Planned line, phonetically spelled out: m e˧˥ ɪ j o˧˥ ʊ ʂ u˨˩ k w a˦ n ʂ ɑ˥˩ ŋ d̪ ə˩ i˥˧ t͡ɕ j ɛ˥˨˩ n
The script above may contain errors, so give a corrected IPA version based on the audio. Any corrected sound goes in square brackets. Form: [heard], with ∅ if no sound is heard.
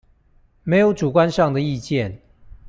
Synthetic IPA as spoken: m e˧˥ ɪ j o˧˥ ʊ [ʈ͡ʂ] u˨˩ k w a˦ n ʂ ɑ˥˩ ŋ d̪ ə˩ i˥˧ t͡ɕ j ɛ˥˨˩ n